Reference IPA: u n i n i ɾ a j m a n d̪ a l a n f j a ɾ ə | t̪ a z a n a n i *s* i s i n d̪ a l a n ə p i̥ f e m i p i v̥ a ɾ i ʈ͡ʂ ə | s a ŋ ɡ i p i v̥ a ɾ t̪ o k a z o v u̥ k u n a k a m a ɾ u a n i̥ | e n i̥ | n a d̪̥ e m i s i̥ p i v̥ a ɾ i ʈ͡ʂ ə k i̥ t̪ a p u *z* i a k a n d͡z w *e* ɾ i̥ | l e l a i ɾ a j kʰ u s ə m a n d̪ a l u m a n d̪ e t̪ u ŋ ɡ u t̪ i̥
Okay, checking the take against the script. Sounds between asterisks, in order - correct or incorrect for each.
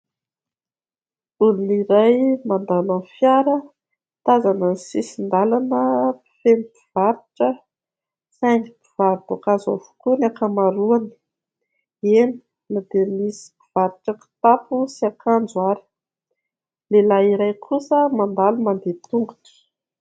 correct, incorrect: s, incorrect: a

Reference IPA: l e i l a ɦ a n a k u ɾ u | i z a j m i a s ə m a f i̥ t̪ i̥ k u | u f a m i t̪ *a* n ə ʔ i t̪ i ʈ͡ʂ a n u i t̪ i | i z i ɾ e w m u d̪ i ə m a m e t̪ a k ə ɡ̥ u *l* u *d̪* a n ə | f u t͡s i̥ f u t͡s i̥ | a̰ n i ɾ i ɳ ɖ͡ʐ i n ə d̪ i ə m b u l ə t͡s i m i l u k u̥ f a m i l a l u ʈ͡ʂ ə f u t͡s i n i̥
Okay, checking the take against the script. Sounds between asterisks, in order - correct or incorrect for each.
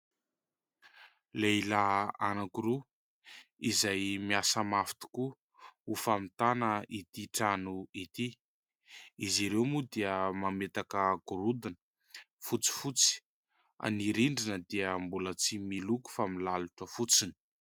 correct, incorrect: ɾ, correct

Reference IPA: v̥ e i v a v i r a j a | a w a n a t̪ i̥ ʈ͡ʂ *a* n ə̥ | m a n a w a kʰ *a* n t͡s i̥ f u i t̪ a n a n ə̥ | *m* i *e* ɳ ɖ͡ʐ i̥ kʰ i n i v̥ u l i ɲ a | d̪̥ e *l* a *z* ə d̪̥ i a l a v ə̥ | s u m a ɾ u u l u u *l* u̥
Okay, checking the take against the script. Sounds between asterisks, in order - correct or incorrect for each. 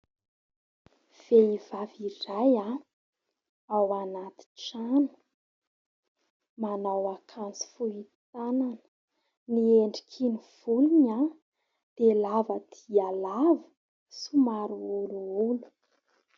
correct, correct, incorrect: n, correct, correct, incorrect: v, correct

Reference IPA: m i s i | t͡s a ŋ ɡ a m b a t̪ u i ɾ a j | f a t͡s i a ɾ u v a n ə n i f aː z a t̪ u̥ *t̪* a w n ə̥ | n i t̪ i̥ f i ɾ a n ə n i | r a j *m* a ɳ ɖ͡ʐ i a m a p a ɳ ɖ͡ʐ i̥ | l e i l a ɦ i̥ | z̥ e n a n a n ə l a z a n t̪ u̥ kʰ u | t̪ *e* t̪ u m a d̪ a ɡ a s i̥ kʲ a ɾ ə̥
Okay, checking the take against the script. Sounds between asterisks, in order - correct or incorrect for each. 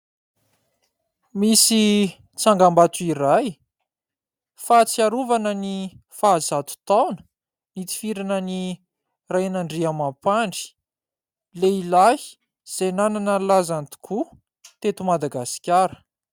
correct, incorrect: n, correct

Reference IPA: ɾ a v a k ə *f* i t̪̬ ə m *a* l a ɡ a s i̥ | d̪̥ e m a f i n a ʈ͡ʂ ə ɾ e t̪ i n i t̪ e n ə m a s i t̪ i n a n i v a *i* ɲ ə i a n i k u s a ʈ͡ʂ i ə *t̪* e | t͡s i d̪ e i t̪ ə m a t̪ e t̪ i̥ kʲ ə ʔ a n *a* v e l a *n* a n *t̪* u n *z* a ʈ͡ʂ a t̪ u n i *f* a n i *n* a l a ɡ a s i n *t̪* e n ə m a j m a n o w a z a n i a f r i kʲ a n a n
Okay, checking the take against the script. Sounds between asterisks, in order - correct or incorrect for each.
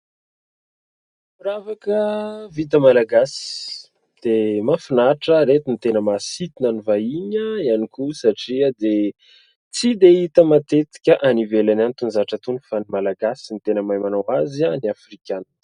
incorrect: v, correct, correct, incorrect: d̪, incorrect: i, correct, correct, correct, correct, incorrect: m, correct

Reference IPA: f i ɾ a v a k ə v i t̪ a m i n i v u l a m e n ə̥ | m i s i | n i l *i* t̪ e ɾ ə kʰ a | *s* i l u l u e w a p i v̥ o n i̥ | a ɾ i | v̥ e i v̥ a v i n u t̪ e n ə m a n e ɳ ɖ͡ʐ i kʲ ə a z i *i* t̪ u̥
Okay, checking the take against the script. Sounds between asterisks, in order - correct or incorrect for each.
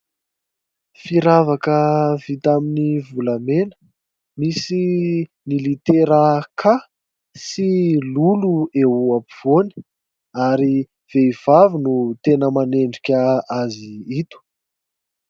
correct, correct, correct

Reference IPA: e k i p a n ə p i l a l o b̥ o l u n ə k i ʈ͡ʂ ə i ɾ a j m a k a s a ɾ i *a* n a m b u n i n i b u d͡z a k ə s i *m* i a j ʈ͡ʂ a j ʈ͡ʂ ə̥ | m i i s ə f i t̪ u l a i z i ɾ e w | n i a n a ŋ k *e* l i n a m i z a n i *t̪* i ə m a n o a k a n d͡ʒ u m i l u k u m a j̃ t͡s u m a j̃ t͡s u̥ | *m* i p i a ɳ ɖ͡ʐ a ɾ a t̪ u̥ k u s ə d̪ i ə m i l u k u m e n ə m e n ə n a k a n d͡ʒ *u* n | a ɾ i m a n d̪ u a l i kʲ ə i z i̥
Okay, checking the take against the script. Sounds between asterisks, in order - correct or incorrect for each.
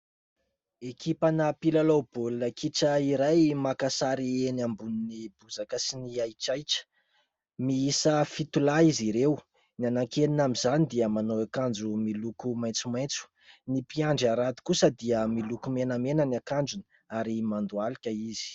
incorrect: e, incorrect: n, correct, incorrect: d̪, incorrect: n, correct

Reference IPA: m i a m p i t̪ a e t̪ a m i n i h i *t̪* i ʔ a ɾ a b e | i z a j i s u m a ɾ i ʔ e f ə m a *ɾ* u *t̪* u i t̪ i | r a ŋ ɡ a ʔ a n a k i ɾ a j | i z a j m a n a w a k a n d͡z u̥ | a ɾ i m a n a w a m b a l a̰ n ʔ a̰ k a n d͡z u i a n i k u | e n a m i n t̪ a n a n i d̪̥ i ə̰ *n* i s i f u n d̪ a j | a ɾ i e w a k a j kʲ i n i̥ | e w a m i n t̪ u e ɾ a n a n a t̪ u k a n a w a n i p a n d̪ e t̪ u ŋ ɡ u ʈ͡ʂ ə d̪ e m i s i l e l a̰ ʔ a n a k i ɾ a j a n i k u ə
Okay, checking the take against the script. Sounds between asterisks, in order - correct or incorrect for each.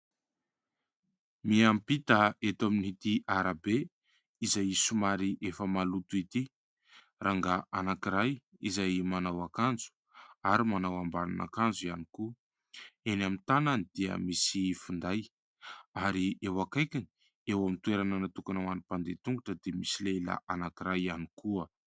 correct, incorrect: l, correct, incorrect: m

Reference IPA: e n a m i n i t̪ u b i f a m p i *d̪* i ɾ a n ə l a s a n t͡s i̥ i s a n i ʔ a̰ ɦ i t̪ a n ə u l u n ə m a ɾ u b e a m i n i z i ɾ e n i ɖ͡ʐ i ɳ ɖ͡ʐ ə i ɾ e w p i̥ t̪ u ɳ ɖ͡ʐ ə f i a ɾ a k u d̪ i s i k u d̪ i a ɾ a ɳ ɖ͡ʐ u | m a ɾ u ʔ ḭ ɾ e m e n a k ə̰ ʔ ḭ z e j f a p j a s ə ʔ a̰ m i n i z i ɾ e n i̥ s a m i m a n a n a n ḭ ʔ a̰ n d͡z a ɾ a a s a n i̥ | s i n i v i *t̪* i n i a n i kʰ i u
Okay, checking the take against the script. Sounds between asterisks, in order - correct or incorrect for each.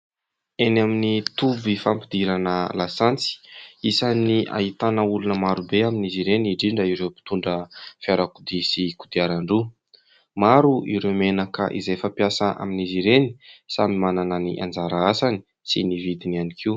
correct, incorrect: d̪

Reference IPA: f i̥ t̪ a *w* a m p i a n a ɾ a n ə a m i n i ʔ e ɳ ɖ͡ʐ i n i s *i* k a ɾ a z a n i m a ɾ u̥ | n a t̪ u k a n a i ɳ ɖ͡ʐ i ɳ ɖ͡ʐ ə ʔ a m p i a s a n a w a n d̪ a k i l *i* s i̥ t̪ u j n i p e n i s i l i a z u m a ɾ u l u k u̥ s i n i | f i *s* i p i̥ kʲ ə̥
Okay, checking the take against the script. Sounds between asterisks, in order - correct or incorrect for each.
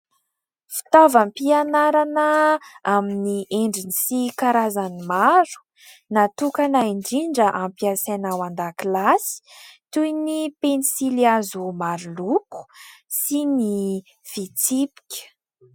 incorrect: v, correct, incorrect: a, incorrect: t͡s

